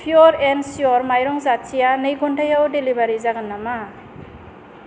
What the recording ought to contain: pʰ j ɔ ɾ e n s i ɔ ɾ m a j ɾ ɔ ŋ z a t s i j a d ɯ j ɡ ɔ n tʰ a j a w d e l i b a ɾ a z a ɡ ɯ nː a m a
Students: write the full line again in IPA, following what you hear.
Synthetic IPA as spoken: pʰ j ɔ ɾ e n s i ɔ ɾ m a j ɾ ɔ ŋ z a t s i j a n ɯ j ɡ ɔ n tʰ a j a w d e l i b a ɾ i z a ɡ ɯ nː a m a